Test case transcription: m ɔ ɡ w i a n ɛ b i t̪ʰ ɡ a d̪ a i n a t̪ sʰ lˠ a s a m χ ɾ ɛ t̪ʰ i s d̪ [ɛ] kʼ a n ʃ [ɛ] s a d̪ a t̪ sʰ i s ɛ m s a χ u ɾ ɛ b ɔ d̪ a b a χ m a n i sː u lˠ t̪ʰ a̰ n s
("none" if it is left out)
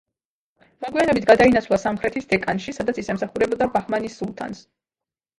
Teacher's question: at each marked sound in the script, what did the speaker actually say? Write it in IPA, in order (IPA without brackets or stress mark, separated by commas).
ɛ, i